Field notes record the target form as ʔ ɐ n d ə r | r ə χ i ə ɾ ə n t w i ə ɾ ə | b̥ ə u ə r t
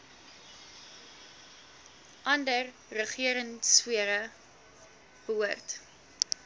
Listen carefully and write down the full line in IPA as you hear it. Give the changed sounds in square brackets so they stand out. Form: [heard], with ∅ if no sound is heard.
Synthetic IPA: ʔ ɐ n d ə r | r ə χ i ə ɾ ə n [s] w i ə ɾ ə | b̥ ə u ə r t